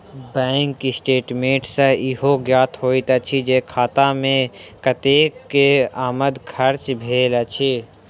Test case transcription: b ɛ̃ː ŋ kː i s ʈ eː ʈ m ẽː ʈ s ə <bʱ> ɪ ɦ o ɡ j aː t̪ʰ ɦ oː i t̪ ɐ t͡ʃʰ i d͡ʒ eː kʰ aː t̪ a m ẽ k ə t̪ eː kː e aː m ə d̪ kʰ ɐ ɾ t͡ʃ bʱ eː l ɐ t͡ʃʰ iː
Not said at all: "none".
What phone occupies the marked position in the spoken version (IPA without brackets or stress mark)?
none